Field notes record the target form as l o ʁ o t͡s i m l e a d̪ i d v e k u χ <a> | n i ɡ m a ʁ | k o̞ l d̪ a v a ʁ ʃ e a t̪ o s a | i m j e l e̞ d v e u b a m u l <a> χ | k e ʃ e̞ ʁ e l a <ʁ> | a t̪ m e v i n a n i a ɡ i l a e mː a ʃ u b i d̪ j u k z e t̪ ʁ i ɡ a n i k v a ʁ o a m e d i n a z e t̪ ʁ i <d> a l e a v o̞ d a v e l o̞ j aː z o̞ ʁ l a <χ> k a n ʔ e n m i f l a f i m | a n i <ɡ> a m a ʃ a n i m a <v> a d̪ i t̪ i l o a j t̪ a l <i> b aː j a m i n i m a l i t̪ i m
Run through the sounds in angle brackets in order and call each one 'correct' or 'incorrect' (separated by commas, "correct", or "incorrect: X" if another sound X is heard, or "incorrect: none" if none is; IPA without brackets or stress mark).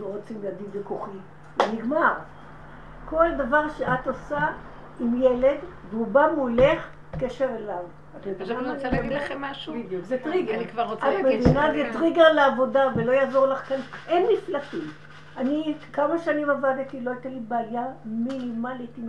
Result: incorrect: i, incorrect: e, incorrect: v, incorrect: ɡ, correct, incorrect: k, correct, correct